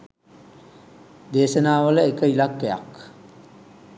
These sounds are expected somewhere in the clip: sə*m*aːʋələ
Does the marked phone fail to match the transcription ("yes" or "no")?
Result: yes